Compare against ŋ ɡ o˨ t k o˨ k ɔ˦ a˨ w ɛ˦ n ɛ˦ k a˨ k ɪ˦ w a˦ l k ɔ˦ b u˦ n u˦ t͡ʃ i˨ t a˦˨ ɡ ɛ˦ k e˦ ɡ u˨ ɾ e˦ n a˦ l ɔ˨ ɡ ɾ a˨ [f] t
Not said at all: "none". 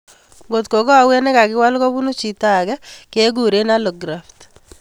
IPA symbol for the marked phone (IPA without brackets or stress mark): f